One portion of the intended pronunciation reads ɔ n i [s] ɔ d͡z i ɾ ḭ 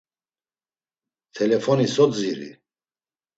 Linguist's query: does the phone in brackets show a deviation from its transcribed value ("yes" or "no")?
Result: no